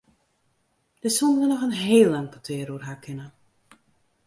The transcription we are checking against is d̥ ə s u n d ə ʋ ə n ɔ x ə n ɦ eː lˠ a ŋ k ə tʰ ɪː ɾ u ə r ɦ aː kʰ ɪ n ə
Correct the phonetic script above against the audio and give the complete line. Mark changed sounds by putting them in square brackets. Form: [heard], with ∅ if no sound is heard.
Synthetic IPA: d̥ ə s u n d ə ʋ ə n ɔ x ə n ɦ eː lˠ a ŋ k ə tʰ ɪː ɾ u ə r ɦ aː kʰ ɪ n ə

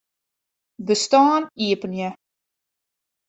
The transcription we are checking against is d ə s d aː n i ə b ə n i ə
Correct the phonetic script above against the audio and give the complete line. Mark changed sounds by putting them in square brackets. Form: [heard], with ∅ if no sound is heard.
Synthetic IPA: [b] ə s [t] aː n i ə [p] ə n [j] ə

